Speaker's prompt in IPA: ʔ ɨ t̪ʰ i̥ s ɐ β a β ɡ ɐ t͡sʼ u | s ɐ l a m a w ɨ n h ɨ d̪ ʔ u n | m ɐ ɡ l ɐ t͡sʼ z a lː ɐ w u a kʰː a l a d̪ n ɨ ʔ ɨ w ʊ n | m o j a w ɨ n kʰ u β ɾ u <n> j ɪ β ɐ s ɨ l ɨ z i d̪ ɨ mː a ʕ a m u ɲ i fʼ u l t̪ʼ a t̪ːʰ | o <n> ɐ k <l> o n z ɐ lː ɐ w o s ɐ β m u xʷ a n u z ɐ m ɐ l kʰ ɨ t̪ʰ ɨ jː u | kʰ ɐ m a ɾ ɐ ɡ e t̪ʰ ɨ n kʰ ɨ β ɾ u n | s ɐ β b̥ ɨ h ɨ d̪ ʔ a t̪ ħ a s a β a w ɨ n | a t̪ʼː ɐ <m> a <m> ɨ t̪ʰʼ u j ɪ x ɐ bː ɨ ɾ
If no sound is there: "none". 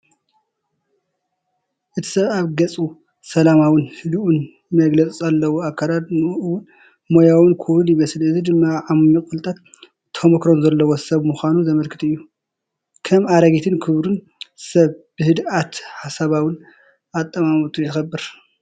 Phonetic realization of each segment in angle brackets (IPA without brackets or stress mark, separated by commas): n, m, ɾ, m, m